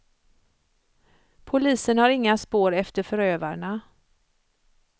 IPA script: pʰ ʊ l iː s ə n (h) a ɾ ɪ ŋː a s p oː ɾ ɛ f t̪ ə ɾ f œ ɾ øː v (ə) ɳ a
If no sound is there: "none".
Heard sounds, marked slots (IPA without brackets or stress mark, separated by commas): h, a